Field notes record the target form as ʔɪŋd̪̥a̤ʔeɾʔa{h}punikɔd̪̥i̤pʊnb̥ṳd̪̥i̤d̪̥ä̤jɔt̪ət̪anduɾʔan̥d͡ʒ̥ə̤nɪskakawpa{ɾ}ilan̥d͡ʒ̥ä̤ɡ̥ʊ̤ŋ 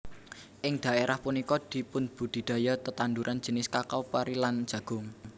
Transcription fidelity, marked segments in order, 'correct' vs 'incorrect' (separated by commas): correct, correct